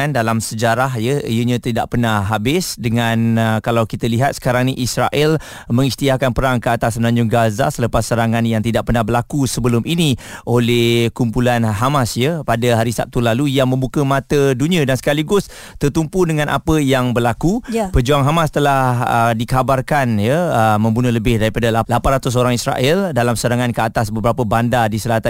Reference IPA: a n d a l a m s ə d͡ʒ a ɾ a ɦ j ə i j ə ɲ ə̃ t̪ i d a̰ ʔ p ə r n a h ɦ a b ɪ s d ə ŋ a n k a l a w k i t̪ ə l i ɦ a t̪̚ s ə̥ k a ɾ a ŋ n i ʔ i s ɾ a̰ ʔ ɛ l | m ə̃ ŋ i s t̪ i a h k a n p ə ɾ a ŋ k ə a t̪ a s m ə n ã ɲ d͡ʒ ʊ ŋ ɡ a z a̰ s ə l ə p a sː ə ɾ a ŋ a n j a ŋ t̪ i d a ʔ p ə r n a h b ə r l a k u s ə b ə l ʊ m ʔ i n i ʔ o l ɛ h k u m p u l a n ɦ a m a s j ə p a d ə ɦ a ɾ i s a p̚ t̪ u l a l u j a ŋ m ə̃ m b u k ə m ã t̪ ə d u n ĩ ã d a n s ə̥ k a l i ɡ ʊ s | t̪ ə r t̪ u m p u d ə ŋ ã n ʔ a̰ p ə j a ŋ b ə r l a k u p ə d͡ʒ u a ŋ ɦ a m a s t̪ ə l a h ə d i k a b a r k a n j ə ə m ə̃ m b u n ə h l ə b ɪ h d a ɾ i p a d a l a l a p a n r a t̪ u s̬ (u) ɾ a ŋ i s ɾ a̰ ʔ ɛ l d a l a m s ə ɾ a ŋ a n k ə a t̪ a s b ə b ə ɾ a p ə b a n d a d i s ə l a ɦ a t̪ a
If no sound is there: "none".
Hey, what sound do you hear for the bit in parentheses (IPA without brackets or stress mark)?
o